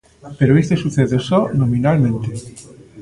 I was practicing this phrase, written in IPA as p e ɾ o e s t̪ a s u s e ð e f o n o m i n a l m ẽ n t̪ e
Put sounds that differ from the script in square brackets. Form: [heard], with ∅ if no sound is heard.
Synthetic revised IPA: p e ɾ o e s t̪ [e] s u [θ] e ð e [s] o n o m i n a l m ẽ n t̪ e